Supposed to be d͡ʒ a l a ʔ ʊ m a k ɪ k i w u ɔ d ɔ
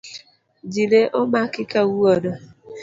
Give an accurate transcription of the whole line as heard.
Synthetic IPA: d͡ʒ i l e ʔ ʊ m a k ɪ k a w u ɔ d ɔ